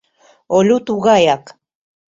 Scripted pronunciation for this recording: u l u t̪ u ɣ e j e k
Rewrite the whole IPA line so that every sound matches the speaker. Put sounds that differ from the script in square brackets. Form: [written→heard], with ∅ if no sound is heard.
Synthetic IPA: [u→o] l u t̪ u ɣ [e→a] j [e→a] k